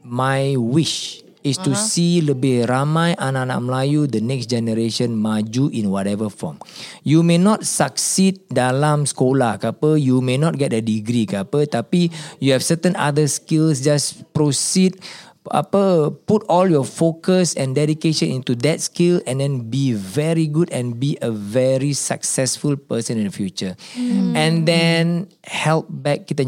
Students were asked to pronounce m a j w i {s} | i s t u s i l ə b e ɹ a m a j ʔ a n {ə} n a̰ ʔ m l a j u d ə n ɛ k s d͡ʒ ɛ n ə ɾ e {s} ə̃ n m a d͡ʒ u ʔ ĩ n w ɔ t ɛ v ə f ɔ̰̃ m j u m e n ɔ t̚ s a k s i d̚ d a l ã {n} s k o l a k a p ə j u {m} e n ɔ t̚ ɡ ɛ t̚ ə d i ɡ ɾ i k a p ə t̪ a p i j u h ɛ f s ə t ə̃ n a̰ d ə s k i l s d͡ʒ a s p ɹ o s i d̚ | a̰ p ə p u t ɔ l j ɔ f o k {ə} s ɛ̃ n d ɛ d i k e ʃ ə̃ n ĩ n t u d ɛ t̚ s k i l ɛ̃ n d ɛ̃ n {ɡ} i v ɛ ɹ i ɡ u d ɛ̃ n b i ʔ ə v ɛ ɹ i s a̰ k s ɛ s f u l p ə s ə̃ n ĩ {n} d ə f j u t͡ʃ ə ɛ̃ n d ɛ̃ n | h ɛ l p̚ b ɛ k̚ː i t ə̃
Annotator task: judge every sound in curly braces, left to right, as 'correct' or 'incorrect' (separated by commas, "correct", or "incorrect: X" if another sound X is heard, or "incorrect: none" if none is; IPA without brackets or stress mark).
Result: incorrect: ʃ, incorrect: a, incorrect: ʃ, incorrect: m, correct, correct, incorrect: b, correct